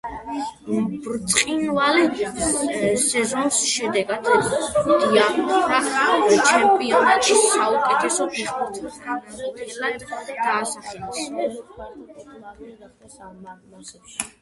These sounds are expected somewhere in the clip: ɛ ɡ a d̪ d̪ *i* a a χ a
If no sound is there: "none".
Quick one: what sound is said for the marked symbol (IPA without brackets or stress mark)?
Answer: i